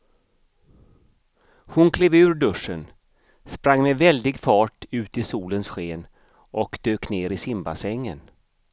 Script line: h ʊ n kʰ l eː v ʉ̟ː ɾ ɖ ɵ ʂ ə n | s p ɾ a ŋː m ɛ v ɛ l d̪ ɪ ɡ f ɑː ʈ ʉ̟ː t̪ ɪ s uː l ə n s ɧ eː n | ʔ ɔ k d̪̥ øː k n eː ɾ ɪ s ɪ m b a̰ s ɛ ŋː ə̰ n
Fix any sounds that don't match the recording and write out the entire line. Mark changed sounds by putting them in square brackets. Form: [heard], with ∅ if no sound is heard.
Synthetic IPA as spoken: h ʊ n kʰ l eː v ʉ̟ː ɾ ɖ ɵ ʂ ə n | s p ɾ a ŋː m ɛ v ɛ l d̪ ɪ ɡ f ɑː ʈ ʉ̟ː t̪ ɪ s uː l ə n s ɧ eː n | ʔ ɔ k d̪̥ øː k n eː ɾ ɪ s ɪ m b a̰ s ɛ ŋː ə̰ n